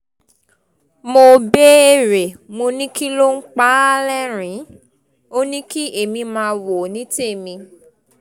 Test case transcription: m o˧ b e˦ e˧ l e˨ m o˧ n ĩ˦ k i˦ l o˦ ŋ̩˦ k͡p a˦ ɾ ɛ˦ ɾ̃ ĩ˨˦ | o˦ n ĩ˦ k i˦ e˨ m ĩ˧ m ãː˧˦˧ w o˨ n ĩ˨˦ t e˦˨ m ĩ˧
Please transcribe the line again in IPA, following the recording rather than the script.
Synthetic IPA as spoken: m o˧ b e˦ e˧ ɾ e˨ m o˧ n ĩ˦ k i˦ l o˦ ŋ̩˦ k͡p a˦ l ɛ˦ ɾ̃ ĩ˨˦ | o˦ n ĩ˦ k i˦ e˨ m ĩ˧ m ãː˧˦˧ w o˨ n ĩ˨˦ t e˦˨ m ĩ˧